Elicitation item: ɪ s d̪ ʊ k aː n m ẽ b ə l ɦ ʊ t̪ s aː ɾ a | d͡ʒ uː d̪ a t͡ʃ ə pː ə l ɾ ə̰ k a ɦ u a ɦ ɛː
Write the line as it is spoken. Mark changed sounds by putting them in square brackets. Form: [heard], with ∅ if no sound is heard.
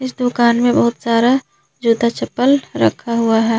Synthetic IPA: ɪ s d̪ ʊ k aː n m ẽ b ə [∅] ɦ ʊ t̪ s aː ɾ a | d͡ʒ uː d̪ a t͡ʃ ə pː ə l ɾ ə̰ [kʰ] a ɦ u a ɦ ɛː